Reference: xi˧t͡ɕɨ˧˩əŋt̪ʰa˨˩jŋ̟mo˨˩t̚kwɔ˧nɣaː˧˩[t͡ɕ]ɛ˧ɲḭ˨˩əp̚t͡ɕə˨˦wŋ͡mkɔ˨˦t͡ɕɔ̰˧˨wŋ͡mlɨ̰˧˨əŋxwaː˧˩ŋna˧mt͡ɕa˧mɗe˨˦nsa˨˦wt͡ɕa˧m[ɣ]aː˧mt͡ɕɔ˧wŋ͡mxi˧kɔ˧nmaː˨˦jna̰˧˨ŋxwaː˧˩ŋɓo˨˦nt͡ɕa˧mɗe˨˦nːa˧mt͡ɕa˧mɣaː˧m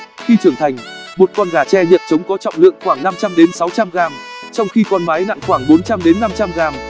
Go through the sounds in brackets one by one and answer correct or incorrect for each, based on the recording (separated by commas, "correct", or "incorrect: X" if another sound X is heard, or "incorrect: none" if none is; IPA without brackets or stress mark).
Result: correct, correct